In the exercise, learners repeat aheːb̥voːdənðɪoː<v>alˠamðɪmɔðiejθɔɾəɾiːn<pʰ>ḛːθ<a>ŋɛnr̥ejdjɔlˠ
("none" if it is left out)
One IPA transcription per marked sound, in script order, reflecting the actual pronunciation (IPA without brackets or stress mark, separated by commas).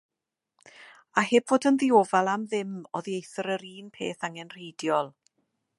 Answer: v, pʰ, a